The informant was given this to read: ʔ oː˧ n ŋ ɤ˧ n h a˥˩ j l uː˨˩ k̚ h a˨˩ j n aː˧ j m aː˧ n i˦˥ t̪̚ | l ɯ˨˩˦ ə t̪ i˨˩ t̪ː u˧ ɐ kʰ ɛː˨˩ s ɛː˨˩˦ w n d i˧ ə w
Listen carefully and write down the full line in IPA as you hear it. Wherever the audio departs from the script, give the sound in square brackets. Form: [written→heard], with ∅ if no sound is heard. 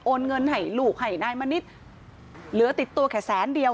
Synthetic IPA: ʔ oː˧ n ŋ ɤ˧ n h [a˥˩→a˨˩] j l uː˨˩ k̚ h a˨˩ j n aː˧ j m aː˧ n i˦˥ t̪̚ | l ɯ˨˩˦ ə t̪ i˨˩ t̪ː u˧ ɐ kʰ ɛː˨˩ s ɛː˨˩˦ [w→∅] n d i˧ ə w